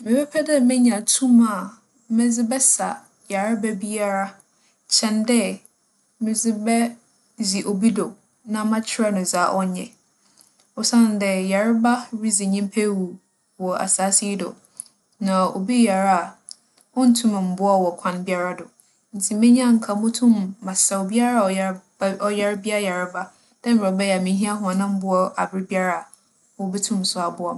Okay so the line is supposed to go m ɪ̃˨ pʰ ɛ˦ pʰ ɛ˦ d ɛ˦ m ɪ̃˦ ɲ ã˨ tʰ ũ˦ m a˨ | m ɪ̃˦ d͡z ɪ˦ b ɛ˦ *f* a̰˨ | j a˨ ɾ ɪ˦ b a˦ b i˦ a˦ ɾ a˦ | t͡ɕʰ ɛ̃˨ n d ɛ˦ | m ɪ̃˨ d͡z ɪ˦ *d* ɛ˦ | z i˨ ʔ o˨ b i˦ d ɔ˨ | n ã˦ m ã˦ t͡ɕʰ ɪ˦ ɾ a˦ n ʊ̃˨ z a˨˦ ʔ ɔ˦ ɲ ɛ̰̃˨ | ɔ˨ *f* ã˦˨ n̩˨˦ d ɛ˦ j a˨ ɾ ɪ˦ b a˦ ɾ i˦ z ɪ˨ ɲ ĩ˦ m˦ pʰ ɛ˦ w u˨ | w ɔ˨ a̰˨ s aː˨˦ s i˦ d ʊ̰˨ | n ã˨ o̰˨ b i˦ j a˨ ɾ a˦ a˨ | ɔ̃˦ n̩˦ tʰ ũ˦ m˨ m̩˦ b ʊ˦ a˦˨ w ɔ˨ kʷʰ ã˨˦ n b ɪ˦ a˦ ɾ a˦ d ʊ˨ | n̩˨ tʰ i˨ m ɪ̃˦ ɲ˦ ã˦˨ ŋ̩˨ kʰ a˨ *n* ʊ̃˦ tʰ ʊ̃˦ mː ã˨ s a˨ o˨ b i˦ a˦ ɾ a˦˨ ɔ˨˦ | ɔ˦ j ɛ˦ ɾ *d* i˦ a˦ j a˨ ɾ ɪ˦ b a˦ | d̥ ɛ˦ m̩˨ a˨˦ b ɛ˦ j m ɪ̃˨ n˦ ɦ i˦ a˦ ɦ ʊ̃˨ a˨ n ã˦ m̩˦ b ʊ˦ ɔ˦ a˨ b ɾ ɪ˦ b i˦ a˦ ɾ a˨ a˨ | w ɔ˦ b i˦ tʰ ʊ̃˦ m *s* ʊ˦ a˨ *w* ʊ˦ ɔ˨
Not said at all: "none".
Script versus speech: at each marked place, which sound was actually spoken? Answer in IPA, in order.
s, b, s, m, b, s, b

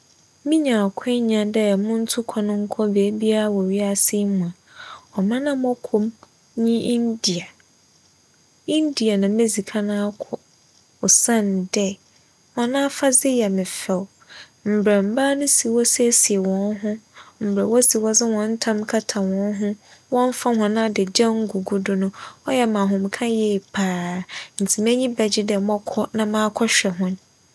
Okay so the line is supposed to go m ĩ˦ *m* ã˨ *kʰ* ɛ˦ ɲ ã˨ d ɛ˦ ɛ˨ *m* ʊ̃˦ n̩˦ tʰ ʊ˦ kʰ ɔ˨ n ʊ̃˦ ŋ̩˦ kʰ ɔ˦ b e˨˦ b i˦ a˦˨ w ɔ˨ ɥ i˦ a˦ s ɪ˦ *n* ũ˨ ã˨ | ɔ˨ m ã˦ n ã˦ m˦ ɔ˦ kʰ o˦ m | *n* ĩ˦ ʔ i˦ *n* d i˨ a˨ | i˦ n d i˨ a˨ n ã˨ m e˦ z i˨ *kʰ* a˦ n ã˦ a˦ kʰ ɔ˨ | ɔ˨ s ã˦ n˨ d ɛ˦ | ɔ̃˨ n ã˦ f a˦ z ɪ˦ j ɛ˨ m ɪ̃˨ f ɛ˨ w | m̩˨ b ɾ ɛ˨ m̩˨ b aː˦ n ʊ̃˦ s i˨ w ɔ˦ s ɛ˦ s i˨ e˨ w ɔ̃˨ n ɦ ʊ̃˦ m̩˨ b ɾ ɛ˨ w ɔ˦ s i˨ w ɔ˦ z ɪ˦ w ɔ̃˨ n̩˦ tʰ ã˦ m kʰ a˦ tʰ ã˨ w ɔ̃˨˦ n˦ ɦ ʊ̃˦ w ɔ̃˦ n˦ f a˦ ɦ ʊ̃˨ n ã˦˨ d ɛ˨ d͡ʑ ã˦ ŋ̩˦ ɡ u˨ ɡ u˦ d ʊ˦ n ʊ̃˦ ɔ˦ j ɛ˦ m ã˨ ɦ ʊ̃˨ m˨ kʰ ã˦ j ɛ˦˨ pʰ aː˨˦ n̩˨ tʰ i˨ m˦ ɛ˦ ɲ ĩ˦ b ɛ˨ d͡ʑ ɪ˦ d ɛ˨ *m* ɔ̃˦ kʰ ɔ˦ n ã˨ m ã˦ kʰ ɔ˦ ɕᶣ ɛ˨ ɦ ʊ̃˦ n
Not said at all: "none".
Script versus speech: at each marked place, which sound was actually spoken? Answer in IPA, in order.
ɲ, kʰ, m, m, ɲ, n, kʰ, m

